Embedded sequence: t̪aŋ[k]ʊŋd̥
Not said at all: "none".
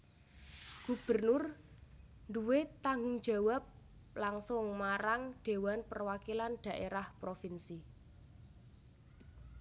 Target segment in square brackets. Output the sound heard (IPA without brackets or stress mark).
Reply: ɡ